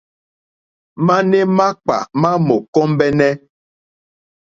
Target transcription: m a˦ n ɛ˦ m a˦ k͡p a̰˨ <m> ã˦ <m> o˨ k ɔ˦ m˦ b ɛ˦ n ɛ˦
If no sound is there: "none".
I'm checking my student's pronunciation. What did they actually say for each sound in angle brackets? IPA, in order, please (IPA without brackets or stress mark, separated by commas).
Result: m, m